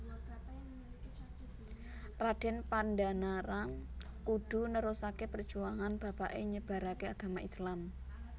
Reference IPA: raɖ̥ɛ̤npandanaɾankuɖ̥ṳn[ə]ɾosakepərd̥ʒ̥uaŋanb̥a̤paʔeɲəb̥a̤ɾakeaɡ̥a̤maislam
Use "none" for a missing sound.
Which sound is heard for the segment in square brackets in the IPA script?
ə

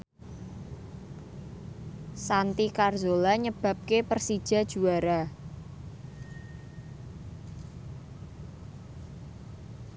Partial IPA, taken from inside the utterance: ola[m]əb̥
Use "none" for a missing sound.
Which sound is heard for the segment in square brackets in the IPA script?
ɲ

